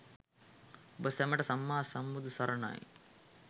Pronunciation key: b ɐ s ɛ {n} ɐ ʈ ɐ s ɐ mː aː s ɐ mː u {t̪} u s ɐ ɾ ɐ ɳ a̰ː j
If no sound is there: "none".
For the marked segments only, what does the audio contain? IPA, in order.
m, d̪

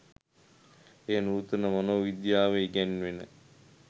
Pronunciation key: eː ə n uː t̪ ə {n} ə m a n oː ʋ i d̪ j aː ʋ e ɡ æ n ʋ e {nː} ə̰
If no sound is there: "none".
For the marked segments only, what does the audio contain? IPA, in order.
n, n

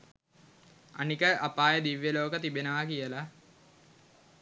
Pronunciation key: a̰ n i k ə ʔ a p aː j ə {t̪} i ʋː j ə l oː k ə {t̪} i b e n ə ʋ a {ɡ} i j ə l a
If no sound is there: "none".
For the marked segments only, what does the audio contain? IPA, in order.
d̪, t̪, k

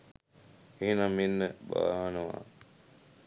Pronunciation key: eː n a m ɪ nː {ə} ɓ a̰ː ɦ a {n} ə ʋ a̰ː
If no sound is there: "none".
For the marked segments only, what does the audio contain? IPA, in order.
ə, n

